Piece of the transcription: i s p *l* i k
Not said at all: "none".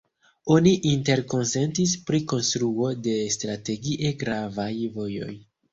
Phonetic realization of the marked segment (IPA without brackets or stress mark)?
ɾ